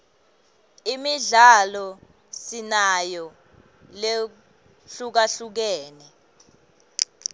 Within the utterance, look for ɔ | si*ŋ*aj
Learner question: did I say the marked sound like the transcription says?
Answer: no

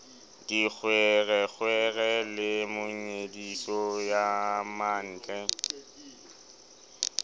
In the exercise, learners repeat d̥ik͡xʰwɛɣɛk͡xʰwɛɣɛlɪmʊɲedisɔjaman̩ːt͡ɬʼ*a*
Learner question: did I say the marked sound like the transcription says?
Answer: no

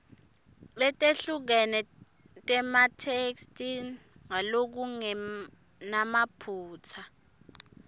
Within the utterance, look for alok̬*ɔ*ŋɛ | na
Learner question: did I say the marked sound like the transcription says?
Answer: no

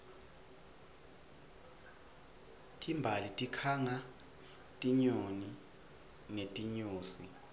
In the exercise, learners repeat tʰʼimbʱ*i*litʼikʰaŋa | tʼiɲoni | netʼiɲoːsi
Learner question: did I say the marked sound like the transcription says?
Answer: no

